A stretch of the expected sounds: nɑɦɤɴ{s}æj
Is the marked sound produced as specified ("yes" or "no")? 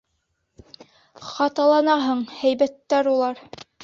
no